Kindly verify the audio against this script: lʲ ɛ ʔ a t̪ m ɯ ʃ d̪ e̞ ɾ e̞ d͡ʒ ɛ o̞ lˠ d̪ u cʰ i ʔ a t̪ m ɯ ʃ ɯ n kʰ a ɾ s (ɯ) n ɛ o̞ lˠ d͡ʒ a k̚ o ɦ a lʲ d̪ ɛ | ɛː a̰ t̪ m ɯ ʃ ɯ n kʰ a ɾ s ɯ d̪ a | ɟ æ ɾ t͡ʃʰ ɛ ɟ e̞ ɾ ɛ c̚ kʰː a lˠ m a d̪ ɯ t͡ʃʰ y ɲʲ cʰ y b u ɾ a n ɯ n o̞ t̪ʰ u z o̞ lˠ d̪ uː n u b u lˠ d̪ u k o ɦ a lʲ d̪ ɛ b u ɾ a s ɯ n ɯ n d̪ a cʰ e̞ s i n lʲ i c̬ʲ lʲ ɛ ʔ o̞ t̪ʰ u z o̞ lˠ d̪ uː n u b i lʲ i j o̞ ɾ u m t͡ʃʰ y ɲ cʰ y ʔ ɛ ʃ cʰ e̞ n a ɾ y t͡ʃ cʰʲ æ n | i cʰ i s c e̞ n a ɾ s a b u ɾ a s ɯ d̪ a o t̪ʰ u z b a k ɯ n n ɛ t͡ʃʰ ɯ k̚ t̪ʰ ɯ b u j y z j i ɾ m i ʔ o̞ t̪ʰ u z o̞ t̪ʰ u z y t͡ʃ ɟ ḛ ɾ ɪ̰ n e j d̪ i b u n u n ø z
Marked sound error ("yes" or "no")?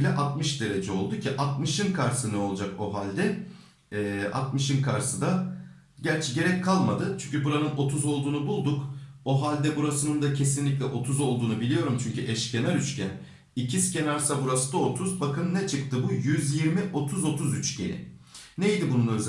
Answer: no